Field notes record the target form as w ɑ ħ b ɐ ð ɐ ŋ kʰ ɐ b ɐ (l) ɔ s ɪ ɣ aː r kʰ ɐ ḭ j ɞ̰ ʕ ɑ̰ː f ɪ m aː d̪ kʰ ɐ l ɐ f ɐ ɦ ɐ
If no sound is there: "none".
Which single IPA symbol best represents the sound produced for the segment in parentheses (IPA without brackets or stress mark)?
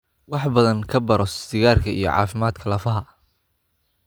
ɾ